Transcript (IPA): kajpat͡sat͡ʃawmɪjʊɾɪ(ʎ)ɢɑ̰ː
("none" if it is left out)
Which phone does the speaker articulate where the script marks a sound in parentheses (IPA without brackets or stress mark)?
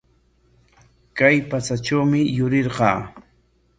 ɾ